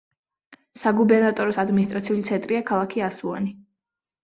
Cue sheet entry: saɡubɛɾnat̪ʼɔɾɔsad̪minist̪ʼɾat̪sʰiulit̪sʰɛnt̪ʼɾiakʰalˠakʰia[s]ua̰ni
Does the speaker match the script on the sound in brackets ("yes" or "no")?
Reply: yes